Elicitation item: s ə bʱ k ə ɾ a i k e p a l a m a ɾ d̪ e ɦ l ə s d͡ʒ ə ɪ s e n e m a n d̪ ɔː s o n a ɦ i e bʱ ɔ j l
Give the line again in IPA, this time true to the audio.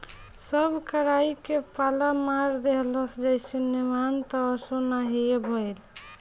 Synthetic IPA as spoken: s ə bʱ k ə ɾ a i k e p a l a m a ɾ d̪ e ɦ l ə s d͡ʒ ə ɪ s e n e m a n t̪ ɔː s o n a ɦ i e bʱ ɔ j l